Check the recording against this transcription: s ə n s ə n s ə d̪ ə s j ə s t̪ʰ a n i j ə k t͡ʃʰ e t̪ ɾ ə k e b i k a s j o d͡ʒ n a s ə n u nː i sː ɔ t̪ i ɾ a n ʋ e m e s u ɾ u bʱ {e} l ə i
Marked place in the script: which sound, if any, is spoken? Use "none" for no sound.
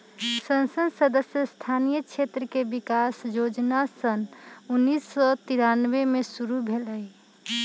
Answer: e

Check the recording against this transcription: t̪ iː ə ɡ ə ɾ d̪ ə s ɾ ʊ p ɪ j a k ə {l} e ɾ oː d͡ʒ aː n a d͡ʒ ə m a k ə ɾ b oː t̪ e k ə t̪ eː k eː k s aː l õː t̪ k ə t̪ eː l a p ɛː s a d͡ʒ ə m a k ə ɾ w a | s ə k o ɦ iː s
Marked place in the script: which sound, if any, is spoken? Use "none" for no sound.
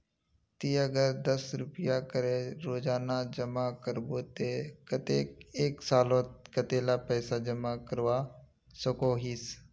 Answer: ɾ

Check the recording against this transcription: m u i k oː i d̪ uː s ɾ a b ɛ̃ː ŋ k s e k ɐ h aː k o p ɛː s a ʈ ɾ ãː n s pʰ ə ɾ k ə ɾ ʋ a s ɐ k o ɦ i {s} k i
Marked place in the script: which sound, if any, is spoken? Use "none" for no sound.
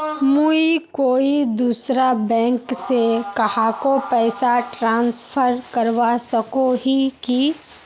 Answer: none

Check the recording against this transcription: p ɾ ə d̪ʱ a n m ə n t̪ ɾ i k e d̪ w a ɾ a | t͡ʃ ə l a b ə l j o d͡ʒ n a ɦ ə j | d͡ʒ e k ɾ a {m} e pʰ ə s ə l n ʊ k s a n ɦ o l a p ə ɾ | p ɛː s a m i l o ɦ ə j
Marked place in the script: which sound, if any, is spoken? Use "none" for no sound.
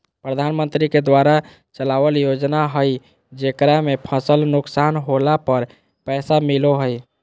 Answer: m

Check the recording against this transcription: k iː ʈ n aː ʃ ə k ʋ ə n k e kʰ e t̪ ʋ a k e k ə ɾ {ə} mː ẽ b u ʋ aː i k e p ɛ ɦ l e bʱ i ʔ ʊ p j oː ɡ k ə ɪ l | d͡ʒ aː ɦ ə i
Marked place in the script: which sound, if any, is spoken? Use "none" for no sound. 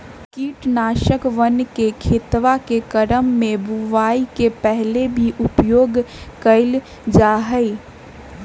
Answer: ə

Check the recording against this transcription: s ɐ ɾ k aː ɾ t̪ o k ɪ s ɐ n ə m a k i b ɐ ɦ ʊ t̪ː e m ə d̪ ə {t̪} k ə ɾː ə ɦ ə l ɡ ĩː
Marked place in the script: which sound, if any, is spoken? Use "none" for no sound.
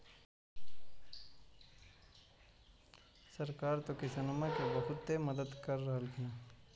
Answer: d̪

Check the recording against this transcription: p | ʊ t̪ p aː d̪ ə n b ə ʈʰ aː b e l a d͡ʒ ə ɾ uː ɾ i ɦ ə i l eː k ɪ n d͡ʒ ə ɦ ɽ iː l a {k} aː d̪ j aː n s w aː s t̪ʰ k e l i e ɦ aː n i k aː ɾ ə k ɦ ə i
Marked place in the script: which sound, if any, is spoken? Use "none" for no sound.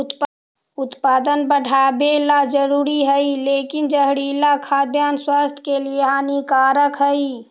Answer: kʰ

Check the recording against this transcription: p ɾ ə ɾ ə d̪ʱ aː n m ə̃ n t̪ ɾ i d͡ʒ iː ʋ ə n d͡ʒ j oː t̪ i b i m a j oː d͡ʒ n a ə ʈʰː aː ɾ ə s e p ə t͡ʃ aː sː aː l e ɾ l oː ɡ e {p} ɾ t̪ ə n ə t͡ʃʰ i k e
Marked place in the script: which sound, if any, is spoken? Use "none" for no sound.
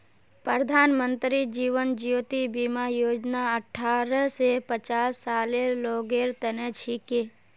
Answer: none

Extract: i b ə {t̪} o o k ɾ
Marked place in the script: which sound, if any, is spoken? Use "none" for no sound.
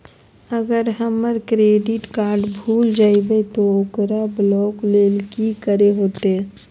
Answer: t̪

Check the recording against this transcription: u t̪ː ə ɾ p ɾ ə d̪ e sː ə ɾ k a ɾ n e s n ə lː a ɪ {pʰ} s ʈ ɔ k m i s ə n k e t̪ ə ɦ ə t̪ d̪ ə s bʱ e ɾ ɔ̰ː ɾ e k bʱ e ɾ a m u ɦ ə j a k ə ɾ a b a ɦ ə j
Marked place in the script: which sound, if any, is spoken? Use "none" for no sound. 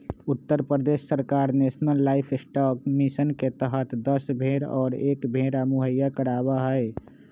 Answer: pʰ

